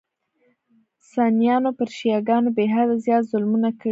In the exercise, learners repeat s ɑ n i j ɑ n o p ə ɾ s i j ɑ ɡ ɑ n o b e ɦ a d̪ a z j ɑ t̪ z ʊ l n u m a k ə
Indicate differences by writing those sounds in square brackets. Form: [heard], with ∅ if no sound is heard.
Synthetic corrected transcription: s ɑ n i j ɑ n o p ə ɾ [ʃ] i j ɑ ɡ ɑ n o b e ɦ a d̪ a z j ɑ t̪ z ʊ l [m] u [n] a k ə